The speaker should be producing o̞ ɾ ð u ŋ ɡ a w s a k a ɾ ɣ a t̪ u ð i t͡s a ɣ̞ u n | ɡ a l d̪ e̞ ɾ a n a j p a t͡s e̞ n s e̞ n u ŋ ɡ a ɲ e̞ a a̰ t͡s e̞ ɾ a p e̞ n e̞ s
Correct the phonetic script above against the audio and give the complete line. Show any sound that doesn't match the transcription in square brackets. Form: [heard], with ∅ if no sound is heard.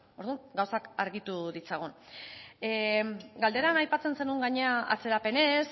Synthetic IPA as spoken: o̞ ɾ ð u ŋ ɡ a w s a k a ɾ ɣ [i] t̪ u ð i t͡s a ɣ̞ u n | ɡ a l d̪ e̞ ɾ a n a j p a t͡s e̞ n s e̞ n u ŋ ɡ a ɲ e̞ a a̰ t͡s e̞ ɾ a p e̞ n e̞ s